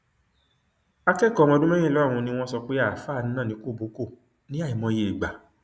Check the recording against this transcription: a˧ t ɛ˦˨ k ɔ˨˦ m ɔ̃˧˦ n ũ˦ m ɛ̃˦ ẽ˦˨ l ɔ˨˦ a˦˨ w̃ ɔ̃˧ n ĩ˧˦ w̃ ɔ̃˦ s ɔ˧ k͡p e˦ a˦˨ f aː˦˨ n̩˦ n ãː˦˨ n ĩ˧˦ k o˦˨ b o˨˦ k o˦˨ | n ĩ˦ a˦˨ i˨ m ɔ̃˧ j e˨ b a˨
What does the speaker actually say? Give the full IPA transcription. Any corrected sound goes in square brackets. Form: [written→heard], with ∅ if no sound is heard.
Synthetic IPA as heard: a˧ [t→k] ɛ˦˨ k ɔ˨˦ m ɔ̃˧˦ [n→d] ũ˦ m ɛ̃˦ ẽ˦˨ l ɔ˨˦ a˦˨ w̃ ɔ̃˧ n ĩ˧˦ w̃ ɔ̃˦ s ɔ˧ k͡p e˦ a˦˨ f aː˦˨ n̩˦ n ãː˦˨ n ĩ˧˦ k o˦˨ b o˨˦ k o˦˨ | n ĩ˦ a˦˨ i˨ m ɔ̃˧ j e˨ [b→ɡ͡b] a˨